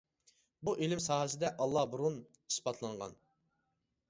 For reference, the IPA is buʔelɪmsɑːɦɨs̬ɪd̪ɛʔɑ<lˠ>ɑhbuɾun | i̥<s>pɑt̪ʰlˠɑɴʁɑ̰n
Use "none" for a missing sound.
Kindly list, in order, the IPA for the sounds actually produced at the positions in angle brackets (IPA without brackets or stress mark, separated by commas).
lˠː, s